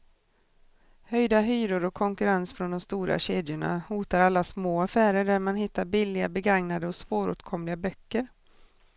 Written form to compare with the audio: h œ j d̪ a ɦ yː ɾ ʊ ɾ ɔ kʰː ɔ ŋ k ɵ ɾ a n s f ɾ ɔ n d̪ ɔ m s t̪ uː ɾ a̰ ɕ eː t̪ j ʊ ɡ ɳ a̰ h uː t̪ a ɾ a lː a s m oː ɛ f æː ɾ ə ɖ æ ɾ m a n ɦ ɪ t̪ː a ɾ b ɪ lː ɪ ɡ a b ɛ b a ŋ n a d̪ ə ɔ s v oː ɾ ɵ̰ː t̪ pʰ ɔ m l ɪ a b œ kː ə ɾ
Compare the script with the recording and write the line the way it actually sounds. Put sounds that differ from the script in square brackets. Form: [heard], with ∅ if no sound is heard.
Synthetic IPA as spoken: h œ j d̪ a ɦ yː ɾ ʊ ɾ ɔ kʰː ɔ ŋ k ɵ ɾ a n s f ɾ ɔ n d̪ ɔ m s t̪ uː ɾ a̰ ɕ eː [d̪] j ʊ [∅] ɳ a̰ h uː t̪ a ɾ a lː a s m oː [a] f æː ɾ ə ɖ æ ɾ m a n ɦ ɪ t̪ː a ɾ b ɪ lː ɪ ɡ a b ɛ [ɡ] a ŋ n a d̪ ə ɔ s v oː ɾ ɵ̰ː t̪ [kʰ] ɔ m l ɪ a b œ kː ə ɾ